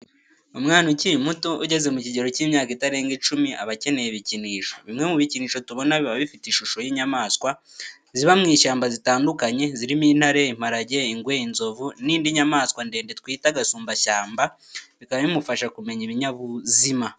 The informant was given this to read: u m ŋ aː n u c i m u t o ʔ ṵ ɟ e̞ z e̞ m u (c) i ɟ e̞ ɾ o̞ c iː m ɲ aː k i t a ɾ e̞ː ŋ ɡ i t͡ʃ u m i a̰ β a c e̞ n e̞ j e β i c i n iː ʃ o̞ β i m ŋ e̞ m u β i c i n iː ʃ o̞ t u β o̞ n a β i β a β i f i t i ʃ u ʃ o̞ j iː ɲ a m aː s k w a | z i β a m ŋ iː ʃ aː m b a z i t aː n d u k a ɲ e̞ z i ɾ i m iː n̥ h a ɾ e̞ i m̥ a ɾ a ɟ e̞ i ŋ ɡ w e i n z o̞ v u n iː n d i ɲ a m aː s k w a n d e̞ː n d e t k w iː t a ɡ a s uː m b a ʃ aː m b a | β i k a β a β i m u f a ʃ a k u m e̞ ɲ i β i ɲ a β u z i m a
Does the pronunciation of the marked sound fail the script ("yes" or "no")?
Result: no